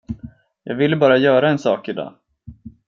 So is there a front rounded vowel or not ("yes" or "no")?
yes